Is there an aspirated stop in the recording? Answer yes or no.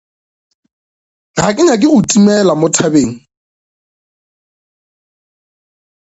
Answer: yes